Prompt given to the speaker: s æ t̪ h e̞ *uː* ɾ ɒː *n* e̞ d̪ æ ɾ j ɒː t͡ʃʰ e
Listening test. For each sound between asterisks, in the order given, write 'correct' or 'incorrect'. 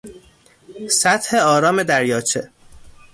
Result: incorrect: ɒː, incorrect: m

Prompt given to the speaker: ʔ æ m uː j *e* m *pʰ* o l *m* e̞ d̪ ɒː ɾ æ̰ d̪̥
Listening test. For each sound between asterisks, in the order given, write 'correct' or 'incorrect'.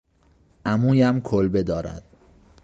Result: incorrect: æ, incorrect: kʰ, incorrect: b

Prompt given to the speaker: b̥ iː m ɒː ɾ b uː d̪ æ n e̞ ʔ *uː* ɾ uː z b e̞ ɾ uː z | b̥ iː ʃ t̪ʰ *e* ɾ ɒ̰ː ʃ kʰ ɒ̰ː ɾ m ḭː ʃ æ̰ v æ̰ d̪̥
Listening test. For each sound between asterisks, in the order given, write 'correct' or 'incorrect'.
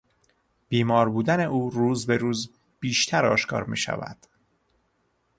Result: correct, incorrect: æ

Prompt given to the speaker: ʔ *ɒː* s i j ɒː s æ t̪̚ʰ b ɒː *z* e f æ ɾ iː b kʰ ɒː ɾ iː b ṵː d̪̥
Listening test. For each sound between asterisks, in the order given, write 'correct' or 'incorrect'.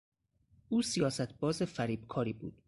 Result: incorrect: uː, correct

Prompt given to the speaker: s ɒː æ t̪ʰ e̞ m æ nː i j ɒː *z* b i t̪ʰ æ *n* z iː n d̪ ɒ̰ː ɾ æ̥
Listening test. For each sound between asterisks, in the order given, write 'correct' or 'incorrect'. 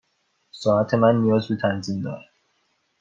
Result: correct, correct

